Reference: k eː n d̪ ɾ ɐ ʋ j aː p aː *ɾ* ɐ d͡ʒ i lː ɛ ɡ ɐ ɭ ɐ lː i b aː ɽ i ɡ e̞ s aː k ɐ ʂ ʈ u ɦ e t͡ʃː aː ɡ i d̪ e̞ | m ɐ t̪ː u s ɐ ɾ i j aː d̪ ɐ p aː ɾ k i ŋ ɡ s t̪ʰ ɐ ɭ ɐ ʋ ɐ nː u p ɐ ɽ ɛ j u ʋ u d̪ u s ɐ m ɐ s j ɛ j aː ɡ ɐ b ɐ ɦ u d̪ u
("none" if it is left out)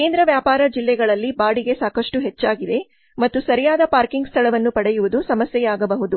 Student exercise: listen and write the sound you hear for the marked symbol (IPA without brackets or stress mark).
ɾ